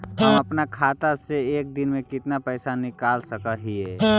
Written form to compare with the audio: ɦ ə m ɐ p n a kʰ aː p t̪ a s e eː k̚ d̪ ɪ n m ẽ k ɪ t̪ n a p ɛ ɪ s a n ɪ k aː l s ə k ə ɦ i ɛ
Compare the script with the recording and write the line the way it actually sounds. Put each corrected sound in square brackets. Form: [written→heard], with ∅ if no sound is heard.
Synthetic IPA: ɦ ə m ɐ p n a kʰ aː [p→∅] t̪ a s e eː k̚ d̪ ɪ n m ẽ k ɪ t̪ n a p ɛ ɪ s a n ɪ k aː l s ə k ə ɦ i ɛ